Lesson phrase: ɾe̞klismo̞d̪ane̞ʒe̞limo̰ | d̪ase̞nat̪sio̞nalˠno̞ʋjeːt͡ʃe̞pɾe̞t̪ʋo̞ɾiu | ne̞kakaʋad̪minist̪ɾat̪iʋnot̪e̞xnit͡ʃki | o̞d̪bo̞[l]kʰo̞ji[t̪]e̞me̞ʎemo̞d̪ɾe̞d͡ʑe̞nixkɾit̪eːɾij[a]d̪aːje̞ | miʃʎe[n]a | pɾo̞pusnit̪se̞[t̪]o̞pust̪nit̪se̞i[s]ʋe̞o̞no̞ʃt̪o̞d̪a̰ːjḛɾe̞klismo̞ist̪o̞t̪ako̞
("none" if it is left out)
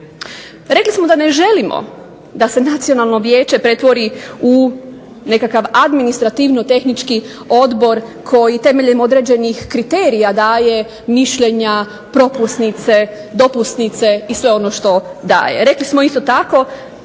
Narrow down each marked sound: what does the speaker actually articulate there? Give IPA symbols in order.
ɾ, t̪, a, ɲ, d̪, s

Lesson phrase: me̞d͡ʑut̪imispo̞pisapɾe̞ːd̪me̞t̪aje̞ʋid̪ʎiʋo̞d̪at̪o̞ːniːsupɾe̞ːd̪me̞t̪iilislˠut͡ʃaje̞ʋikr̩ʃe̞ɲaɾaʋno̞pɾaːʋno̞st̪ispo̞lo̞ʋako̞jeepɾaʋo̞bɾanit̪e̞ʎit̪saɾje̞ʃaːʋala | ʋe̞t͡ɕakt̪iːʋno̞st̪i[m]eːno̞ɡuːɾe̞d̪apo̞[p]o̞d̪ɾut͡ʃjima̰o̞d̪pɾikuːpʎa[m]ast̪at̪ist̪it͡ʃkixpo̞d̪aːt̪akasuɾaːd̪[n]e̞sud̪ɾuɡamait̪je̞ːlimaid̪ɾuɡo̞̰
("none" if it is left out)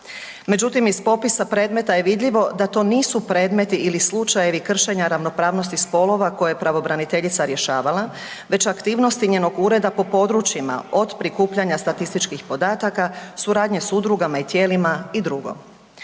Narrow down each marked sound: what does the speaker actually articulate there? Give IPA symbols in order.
ɲ, p, ɲ, ɲ

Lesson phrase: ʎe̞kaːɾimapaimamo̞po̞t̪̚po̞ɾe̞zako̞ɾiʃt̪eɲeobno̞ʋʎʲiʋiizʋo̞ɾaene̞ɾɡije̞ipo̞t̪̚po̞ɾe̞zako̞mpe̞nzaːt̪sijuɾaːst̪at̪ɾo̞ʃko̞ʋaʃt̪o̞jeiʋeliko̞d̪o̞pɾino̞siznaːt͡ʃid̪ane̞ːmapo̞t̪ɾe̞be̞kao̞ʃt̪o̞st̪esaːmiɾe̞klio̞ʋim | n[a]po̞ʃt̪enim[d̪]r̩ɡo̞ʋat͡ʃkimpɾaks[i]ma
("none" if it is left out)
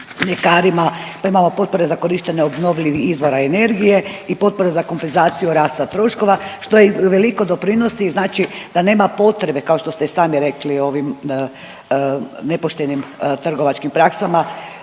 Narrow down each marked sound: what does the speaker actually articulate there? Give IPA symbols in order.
e, t̪, a

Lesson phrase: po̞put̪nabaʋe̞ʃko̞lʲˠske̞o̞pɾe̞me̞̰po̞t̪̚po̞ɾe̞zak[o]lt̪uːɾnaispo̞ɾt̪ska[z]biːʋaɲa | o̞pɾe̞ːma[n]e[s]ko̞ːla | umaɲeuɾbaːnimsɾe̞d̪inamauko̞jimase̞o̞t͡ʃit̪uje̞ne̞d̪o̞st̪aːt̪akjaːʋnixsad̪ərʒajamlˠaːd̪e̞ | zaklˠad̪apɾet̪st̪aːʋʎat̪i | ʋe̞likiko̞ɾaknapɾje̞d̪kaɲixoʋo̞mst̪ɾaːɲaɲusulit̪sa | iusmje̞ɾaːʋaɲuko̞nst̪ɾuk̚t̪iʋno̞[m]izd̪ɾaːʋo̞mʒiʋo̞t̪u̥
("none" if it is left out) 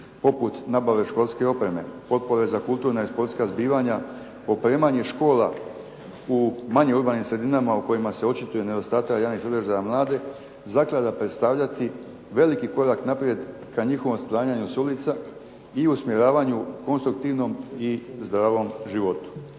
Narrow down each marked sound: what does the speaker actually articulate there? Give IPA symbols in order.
u, z, ɲ, ʃ, m

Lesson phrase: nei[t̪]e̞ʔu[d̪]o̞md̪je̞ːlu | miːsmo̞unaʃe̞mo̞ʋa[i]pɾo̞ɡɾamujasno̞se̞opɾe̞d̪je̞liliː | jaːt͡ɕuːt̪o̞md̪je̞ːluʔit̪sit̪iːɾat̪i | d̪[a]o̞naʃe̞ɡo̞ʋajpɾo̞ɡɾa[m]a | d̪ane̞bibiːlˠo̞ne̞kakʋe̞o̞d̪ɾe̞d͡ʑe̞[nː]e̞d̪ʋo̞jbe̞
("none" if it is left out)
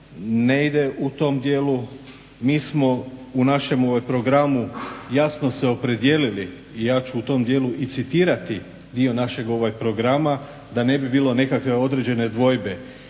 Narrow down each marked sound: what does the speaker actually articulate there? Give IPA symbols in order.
d̪, t̪, j, i, m, n

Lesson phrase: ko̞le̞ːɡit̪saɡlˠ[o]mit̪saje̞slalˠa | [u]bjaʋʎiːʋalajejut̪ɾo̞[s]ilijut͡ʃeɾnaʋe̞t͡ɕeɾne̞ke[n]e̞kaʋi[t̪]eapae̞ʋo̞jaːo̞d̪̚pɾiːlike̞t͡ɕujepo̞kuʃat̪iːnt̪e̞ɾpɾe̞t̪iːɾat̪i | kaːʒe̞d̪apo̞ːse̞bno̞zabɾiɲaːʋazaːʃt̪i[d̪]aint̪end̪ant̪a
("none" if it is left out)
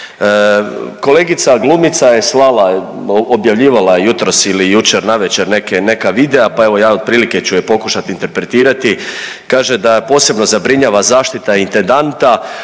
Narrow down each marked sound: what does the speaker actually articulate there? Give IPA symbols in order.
u, o, s, n, d̪, t̪

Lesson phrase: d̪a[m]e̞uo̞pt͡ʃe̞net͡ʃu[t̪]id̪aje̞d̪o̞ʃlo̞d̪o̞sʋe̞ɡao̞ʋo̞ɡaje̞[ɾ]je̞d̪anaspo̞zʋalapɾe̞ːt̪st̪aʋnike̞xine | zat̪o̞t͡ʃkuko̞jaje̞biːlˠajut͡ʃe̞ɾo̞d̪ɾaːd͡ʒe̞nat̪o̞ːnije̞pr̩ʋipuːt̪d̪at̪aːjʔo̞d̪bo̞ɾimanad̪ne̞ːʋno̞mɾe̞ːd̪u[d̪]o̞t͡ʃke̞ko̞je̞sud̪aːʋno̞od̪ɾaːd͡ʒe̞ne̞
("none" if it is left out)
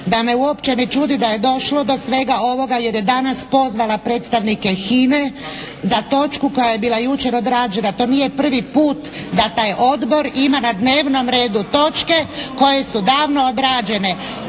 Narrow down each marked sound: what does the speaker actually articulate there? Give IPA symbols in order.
m, d̪, ɾ, t̪

